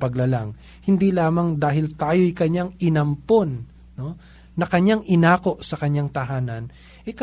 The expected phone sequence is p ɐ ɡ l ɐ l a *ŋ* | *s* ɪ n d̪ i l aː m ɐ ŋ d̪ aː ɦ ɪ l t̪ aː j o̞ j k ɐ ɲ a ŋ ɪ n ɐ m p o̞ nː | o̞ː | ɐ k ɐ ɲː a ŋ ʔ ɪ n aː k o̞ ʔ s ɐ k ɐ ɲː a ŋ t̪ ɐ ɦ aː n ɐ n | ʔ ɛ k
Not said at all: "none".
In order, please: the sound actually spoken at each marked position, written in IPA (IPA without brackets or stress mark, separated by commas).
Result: ŋ, h